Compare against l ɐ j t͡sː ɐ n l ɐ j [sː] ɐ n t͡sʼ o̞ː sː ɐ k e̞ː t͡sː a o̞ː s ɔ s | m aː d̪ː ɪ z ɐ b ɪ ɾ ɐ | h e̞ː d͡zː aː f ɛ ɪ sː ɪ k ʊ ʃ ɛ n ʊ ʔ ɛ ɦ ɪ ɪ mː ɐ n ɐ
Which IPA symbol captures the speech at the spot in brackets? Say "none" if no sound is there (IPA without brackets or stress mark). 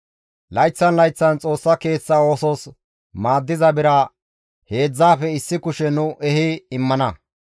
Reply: t͡sː